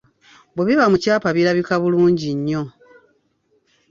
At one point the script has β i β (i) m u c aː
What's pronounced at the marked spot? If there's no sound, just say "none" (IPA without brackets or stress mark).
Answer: a